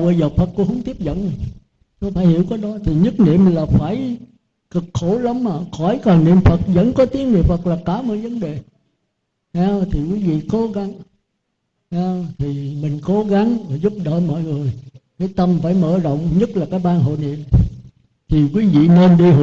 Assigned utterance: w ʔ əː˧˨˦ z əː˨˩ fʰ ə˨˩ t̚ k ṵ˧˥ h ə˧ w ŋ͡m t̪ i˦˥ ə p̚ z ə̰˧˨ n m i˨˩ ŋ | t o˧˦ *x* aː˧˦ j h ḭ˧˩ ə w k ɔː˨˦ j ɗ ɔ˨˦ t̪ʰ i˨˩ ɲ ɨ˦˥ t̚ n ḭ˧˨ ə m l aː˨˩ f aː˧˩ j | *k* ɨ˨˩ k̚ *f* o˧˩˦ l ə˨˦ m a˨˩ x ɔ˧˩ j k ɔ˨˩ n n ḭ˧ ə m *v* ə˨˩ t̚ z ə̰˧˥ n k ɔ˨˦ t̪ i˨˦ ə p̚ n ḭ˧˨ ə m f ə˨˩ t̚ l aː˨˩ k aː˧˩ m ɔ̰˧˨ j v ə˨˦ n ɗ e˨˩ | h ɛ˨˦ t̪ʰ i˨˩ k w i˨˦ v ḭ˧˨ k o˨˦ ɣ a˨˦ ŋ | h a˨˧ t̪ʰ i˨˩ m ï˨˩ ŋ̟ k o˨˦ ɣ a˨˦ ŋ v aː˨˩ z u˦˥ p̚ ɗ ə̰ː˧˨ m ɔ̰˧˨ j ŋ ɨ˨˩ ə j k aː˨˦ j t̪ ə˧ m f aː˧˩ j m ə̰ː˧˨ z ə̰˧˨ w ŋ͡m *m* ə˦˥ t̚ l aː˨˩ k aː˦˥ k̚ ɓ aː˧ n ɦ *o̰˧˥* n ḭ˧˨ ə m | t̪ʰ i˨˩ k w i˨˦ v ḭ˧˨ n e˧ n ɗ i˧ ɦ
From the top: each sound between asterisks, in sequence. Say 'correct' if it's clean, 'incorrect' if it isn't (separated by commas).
incorrect, correct, incorrect, incorrect, incorrect, incorrect